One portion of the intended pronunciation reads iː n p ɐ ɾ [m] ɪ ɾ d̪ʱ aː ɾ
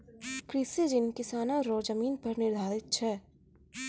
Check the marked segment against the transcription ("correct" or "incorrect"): incorrect